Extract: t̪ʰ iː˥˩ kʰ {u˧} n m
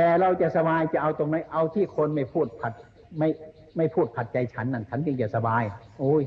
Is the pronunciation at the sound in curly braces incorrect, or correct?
incorrect: o˧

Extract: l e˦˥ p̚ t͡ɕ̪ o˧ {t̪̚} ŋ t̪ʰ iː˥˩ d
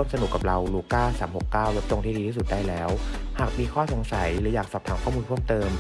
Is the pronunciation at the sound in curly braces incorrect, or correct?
incorrect: none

